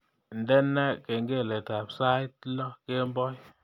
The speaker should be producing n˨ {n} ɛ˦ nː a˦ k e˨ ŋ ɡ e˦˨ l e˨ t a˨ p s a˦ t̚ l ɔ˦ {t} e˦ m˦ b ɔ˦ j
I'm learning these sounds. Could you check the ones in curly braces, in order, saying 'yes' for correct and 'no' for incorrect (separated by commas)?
no, no